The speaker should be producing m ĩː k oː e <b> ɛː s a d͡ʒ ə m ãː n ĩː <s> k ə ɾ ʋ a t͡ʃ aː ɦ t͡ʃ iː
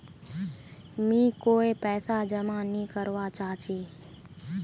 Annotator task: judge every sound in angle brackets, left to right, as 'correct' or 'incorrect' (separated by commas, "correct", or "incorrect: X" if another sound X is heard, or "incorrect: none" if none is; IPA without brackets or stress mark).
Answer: incorrect: p, incorrect: none